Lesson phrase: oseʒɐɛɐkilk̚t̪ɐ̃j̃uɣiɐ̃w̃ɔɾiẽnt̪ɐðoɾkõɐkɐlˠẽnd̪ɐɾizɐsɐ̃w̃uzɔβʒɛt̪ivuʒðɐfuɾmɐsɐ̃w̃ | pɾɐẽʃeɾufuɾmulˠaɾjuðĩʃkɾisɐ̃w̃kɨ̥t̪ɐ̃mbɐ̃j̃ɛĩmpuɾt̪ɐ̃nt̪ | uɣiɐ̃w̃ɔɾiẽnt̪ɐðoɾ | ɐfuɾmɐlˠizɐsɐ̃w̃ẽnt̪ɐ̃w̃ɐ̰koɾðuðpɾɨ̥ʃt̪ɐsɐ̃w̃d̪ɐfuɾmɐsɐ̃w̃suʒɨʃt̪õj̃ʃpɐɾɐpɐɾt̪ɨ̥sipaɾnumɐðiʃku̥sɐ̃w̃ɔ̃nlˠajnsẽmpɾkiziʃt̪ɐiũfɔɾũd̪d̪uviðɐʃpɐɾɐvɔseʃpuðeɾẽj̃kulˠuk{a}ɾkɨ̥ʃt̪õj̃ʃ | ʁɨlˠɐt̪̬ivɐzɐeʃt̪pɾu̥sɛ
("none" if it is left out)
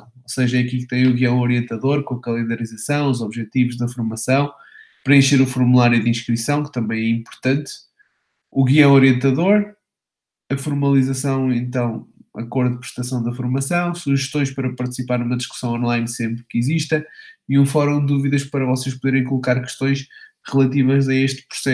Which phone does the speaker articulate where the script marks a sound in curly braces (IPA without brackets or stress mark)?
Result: a